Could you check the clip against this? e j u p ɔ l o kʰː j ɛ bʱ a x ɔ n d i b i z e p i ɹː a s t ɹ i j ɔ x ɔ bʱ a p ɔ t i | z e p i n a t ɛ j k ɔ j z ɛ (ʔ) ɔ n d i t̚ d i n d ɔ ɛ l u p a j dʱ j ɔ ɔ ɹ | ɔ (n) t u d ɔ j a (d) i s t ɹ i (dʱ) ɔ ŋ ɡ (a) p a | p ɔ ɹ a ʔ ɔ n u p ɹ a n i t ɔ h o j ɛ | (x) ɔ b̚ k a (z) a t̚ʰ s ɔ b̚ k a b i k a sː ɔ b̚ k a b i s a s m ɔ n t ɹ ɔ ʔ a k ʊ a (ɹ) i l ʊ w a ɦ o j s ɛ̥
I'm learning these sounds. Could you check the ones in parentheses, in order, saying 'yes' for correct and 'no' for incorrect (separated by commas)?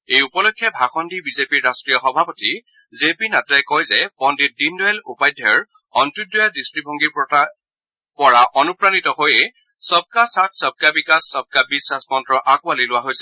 no, yes, yes, no, no, no, no, no